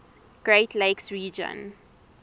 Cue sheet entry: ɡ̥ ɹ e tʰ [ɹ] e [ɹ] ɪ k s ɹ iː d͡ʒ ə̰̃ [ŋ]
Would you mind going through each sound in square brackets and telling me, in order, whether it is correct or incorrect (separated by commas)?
incorrect, incorrect, incorrect